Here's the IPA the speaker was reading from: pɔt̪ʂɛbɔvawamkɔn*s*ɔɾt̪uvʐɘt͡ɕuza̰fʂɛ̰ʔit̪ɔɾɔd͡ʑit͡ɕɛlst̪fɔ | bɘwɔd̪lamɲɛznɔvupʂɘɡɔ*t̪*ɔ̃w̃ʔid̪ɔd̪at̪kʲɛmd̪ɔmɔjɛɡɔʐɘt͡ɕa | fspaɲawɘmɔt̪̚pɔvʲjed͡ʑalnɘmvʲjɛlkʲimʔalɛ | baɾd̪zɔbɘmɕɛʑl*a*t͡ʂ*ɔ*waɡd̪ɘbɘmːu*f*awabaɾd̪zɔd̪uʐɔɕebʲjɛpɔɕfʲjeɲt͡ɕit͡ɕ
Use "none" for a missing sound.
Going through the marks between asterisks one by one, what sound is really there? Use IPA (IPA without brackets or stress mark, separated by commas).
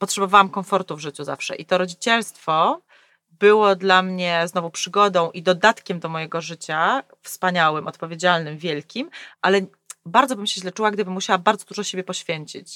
f, d̪, ɛ, u, ɕ